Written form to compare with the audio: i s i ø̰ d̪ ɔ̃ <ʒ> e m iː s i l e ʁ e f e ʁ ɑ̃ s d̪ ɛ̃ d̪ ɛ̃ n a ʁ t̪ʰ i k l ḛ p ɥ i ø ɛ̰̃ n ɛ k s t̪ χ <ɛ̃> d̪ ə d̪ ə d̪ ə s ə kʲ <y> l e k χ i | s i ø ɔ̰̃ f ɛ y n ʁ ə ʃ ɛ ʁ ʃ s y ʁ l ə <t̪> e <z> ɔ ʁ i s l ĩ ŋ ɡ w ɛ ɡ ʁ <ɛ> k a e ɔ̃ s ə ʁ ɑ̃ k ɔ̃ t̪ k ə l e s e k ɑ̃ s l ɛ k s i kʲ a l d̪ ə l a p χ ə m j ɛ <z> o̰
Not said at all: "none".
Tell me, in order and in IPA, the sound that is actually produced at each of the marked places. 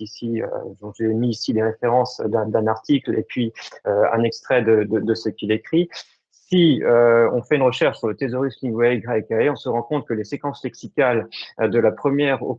ʒ, ɛ, i, t̪, z, ɛ, ʁ

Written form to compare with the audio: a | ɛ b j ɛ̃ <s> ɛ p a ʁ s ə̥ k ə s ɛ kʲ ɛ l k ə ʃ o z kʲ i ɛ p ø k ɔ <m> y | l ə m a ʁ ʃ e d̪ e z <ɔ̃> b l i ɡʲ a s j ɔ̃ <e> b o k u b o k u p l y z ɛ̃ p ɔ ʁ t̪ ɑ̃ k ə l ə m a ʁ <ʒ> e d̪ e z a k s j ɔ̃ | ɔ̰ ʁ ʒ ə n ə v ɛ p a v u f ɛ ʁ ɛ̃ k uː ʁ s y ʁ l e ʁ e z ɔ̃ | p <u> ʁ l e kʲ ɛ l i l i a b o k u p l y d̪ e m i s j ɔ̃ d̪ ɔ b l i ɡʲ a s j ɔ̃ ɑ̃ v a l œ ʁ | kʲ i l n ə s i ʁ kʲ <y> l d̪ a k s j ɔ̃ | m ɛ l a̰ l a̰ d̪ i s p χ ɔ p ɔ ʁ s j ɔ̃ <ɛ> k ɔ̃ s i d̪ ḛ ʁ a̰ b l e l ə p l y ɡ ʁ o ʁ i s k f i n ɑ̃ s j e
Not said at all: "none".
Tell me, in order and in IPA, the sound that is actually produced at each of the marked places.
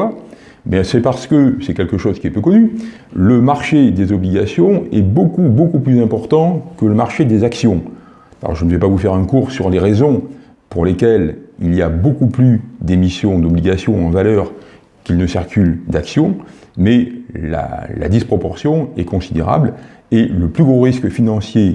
s, n, ɔ, ɛ, ʃ, u, y, ɛ

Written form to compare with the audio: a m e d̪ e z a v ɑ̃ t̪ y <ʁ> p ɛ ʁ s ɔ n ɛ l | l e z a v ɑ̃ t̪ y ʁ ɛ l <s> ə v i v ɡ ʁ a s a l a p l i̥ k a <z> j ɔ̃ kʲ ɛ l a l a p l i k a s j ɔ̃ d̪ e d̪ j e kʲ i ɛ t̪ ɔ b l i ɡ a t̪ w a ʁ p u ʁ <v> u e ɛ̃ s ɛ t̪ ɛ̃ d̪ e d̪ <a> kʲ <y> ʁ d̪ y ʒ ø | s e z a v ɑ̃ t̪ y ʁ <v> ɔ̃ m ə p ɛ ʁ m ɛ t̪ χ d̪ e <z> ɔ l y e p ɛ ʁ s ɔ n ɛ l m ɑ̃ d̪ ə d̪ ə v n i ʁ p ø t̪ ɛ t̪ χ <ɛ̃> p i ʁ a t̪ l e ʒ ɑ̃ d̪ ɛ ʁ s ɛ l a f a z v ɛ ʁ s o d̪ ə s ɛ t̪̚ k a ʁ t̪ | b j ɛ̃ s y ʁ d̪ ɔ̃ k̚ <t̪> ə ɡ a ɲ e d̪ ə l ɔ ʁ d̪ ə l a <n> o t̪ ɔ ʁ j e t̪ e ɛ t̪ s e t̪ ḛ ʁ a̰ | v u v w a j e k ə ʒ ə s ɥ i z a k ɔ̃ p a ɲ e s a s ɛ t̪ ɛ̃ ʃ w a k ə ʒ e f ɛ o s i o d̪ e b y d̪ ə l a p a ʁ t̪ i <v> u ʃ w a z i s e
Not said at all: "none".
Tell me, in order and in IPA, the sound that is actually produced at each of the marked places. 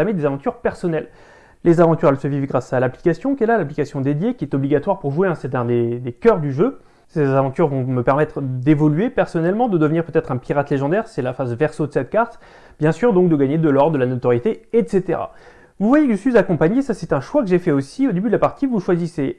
ʁ, s, s, ʒ, e, œ, v, v, ɛ̃, d̪, n, v

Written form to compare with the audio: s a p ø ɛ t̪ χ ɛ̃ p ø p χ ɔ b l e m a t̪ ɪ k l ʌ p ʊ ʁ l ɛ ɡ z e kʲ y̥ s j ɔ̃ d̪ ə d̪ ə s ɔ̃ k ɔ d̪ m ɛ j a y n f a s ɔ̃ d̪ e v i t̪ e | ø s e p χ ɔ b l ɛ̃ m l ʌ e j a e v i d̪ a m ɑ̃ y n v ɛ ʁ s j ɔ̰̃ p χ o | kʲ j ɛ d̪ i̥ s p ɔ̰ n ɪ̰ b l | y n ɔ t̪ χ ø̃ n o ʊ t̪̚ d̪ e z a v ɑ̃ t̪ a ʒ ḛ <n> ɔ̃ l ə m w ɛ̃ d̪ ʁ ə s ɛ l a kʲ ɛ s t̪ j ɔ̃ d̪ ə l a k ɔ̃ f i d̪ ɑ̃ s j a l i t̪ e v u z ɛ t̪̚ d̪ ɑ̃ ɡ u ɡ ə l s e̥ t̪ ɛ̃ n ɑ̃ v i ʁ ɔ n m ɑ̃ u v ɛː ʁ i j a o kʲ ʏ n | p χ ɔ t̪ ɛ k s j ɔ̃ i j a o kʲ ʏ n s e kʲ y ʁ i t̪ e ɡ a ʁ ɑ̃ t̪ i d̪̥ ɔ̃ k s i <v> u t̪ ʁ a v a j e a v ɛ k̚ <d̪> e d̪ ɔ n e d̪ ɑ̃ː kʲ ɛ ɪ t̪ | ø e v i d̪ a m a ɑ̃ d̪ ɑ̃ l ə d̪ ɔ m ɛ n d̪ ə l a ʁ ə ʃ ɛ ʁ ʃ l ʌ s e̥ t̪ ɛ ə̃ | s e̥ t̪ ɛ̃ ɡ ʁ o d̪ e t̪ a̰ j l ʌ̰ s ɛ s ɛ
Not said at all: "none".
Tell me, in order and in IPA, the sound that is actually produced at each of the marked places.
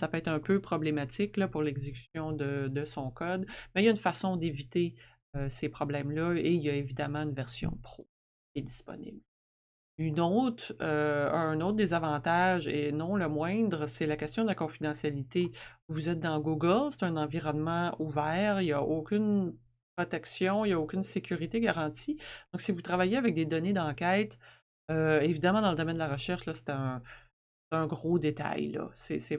n, v, d̪

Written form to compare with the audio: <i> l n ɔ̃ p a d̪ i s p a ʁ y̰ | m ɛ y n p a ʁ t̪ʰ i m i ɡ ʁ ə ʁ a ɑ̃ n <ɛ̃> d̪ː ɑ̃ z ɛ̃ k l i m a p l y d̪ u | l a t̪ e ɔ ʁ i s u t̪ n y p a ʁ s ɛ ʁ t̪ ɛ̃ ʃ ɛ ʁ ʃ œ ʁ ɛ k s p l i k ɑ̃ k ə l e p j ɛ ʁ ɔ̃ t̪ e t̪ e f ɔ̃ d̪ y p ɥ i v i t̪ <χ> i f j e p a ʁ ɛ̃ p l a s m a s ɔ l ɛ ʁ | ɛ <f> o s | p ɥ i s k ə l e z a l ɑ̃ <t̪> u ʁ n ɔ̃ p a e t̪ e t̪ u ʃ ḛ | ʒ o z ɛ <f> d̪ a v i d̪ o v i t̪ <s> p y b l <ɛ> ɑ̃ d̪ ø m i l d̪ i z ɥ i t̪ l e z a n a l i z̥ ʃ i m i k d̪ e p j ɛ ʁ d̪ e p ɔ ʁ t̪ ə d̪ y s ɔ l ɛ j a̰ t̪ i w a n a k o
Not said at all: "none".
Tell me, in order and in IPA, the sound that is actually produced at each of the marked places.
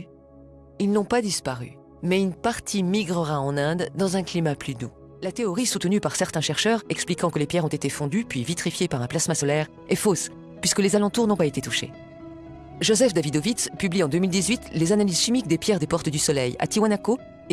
i, ɛ̃, χ, f, t̪, f, s, i

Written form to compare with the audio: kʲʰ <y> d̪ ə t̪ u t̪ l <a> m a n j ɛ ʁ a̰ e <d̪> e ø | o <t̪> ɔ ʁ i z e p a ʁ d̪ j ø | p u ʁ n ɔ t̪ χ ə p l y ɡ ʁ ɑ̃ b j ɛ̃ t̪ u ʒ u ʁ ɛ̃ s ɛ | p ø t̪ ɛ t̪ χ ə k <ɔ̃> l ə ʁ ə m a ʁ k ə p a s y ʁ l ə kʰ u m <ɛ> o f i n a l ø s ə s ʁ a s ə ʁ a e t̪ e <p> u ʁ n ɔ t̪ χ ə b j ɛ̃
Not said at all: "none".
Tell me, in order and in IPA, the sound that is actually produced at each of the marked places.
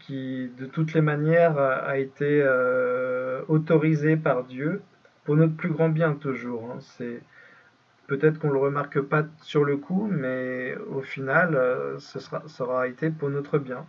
i, e, t̪, t̪, ɔ̃, ɛ, p

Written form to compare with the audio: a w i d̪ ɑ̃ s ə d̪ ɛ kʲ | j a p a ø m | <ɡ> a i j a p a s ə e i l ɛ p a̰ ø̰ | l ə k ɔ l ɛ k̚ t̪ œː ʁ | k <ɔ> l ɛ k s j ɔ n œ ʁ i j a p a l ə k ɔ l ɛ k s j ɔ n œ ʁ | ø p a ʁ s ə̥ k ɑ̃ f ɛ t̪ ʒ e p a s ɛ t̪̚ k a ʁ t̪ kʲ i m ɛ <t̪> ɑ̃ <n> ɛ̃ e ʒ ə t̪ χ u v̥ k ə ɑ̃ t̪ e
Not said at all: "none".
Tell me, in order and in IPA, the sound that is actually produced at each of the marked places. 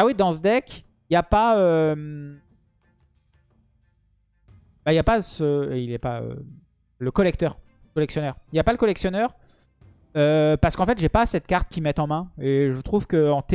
b, ɔ, t̪, m

